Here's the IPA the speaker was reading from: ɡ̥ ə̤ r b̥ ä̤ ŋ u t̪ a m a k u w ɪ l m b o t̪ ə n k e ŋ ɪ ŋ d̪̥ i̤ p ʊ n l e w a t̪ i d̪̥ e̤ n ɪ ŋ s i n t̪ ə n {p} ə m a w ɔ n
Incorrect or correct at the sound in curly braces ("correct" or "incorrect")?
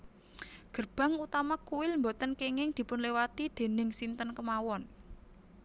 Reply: incorrect